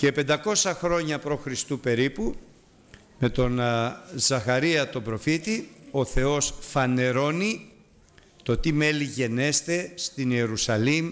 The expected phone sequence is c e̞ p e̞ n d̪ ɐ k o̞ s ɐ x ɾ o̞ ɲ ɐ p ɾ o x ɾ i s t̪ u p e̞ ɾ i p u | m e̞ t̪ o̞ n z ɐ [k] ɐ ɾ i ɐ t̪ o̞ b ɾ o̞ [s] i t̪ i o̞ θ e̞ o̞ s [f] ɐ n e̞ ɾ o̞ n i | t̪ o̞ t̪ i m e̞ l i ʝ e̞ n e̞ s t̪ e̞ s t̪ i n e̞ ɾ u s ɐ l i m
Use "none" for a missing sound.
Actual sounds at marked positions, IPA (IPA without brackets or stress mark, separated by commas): x, f, f